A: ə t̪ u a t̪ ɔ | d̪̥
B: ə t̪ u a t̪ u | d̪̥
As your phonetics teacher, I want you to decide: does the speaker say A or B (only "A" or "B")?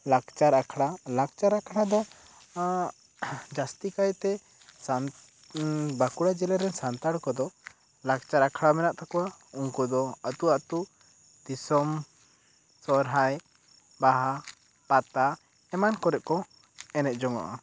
B